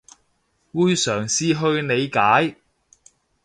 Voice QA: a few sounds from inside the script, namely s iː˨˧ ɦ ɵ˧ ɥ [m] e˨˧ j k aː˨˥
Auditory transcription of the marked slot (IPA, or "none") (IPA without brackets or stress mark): n